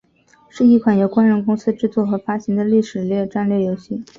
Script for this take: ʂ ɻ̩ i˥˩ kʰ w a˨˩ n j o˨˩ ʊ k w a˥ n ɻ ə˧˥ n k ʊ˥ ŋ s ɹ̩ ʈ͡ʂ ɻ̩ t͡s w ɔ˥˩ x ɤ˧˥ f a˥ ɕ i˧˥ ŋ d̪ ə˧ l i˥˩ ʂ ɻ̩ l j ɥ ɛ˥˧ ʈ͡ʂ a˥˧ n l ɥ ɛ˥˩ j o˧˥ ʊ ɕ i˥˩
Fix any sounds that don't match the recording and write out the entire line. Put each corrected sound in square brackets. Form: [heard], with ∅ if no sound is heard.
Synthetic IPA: ʂ ɻ̩ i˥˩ kʰ w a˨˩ n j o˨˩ ʊ k w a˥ n ɻ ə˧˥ n k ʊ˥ ŋ s ɹ̩ ʈ͡ʂ ɻ̩ t͡s w ɔ˥˩ x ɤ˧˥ f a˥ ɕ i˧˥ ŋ d̪ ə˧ l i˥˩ ʂ ɻ̩ l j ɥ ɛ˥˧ ʈ͡ʂ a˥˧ n l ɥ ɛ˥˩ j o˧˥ ʊ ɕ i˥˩